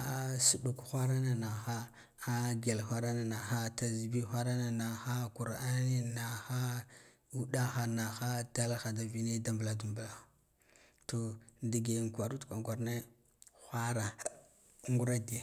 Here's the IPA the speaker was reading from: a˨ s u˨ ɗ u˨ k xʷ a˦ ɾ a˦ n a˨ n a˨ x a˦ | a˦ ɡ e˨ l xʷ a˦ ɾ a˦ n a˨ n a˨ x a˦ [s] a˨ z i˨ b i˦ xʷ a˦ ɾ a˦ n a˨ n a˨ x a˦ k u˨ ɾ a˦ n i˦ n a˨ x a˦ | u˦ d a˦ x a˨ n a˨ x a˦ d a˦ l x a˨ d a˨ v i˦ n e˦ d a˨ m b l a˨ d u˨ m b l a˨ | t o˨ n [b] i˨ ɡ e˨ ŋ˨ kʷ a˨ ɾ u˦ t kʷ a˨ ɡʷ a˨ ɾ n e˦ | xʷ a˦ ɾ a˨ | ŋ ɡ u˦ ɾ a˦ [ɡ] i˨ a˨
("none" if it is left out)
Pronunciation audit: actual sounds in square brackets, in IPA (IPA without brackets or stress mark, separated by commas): t, d, d